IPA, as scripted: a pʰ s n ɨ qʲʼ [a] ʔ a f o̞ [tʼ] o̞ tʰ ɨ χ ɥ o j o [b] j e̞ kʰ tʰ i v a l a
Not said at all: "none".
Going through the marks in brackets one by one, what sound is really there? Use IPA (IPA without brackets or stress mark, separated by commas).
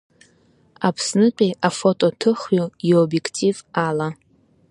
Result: i, tʼ, b